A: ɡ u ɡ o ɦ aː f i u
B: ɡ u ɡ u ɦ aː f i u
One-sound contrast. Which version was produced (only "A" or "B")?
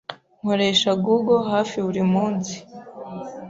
A